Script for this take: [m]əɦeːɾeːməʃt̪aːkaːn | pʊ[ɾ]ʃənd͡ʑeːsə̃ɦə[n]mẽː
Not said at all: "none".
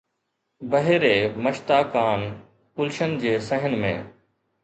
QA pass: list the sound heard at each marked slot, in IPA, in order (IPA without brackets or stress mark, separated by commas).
b, l, n